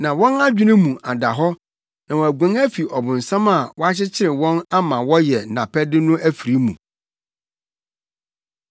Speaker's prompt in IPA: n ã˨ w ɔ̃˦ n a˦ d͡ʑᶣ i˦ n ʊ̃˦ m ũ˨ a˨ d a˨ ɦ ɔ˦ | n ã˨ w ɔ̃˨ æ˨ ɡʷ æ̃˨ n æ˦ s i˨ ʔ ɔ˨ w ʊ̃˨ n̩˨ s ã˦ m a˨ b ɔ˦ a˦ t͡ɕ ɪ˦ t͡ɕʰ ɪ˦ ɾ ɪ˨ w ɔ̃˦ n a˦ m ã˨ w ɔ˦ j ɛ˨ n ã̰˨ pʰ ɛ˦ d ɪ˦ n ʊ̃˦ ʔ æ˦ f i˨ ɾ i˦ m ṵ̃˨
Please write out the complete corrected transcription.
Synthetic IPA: n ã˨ w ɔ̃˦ n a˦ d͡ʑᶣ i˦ n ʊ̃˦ m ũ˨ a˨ d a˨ ɦ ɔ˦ | n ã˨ w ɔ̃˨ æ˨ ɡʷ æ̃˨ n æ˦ f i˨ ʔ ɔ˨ b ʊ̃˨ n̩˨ s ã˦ m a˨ w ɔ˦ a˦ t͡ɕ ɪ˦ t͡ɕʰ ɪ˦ ɾ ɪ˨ w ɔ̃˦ n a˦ m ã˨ w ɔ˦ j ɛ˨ n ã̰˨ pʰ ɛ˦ d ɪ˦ n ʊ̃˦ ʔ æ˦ f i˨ ɾ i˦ m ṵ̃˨